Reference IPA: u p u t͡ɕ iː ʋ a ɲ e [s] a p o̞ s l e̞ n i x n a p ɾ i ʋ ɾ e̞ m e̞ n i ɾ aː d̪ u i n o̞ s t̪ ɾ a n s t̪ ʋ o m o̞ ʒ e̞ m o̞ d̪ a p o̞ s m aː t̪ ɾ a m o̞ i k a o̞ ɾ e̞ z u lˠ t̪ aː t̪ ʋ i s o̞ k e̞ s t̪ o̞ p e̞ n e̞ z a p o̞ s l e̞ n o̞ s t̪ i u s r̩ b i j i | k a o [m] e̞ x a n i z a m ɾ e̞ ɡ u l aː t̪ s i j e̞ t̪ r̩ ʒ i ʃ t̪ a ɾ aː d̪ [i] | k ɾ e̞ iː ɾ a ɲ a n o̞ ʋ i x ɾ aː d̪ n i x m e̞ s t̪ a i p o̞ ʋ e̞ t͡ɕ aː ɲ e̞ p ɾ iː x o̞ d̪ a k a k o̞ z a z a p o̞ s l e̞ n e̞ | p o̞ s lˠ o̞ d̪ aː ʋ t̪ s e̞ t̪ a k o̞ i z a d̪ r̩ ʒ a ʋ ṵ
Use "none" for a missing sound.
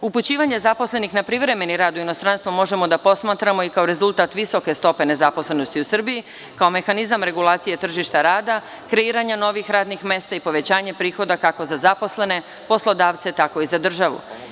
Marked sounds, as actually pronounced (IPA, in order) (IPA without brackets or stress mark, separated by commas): z, m, a